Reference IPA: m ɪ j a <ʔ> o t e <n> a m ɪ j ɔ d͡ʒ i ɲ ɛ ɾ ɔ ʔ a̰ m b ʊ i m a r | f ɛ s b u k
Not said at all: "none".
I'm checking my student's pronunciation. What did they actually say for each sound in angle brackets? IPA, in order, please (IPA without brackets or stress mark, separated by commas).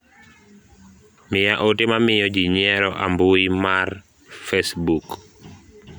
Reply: ʔ, m